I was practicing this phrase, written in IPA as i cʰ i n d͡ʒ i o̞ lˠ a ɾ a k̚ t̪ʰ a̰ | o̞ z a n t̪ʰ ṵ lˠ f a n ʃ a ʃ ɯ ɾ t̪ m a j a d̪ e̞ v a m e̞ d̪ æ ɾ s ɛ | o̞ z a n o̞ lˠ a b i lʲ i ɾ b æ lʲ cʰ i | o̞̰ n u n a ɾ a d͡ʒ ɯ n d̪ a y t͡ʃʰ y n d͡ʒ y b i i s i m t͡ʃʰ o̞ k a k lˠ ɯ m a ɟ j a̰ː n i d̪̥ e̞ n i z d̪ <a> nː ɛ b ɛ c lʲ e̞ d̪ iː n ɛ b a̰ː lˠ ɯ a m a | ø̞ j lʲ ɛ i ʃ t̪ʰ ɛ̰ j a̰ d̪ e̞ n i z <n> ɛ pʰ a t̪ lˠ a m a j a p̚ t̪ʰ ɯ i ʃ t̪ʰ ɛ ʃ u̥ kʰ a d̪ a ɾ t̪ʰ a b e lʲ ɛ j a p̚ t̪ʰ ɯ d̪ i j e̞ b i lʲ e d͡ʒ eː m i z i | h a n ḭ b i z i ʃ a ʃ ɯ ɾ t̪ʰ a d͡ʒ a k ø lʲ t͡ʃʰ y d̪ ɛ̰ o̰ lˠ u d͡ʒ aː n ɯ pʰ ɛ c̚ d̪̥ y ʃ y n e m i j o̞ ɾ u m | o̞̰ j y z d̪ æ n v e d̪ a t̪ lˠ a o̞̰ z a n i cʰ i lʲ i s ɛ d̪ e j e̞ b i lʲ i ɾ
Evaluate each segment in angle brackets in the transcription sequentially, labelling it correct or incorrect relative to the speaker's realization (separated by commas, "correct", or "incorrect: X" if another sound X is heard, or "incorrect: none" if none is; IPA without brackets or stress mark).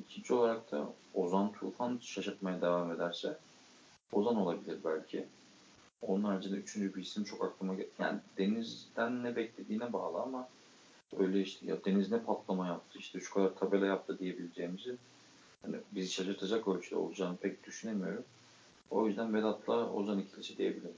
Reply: incorrect: æ, correct